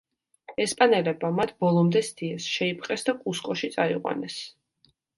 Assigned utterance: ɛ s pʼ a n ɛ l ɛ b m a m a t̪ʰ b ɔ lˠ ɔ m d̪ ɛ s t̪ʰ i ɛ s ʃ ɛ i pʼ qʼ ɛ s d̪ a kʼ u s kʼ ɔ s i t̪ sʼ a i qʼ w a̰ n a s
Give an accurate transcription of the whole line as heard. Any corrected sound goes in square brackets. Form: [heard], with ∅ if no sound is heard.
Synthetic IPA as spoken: ɛ s pʼ a n ɛ l ɛ b m a m a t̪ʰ b ɔ lˠ ɔ m d̪ ɛ s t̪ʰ i ɛ s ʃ ɛ i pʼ qʼ ɛ s d̪ a kʼ u s kʼ ɔ [ʃ] i t̪ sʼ a i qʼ w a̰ n [ɛ] s